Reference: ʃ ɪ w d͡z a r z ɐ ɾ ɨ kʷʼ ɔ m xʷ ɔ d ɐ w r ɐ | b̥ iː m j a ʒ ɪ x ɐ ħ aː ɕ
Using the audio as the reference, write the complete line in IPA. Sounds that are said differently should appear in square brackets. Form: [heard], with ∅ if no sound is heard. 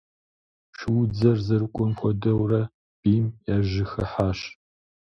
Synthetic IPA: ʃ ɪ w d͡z [ɐ] r z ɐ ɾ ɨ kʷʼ ɔ m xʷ ɔ d ɐ w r ɐ | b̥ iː m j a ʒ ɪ x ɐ ħ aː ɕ